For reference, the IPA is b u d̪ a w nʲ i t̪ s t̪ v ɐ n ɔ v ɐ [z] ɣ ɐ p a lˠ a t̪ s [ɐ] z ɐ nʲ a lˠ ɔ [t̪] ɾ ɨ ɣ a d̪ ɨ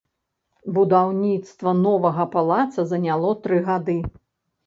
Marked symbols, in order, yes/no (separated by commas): no, yes, yes